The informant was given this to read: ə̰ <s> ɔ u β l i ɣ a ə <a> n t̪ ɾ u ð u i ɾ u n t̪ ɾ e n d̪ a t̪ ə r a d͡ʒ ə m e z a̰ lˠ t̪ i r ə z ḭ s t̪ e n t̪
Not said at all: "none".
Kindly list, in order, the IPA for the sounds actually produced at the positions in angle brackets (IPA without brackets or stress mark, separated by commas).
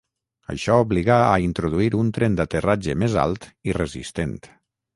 ʃ, i